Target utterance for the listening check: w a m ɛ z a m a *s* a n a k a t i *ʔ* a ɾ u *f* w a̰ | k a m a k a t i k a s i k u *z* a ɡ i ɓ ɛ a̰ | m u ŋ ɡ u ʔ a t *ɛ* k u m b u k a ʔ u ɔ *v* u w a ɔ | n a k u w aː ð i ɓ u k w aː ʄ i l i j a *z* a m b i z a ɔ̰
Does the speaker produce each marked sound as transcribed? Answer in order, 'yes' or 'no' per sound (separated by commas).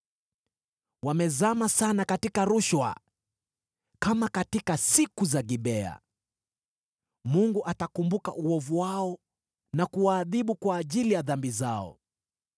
yes, no, no, yes, no, yes, no